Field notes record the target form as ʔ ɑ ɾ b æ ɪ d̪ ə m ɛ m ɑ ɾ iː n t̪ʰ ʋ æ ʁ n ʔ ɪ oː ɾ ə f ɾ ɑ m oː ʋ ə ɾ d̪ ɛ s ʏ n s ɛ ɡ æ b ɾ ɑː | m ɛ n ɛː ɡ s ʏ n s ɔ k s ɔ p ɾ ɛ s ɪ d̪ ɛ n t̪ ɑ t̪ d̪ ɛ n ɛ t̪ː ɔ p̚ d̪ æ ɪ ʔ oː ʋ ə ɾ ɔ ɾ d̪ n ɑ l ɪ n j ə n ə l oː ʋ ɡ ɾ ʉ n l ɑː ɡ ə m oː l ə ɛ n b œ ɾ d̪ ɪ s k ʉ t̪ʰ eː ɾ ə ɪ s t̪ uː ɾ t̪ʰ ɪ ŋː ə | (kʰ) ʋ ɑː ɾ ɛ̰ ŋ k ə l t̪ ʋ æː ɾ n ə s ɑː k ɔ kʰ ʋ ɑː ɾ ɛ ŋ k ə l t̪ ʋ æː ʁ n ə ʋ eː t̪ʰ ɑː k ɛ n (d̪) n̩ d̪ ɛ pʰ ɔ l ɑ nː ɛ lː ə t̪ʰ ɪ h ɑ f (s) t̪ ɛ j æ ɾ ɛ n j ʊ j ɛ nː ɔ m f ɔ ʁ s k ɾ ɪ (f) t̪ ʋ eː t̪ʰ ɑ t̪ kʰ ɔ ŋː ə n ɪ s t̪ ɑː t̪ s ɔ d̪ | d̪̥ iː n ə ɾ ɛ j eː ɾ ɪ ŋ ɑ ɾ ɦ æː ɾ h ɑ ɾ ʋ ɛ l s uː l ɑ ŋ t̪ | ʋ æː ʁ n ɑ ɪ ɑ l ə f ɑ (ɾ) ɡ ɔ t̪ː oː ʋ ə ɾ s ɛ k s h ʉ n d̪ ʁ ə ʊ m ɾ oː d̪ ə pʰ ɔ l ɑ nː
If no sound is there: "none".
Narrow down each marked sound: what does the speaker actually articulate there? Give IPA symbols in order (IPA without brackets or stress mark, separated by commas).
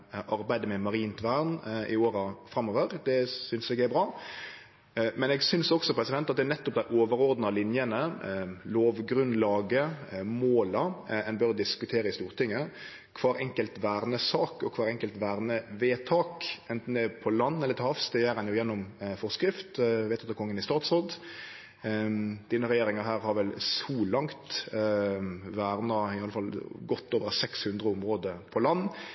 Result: kʰ, t̪, s, f, l